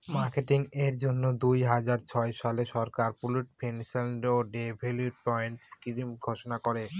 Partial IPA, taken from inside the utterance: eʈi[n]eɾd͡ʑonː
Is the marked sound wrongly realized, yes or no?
yes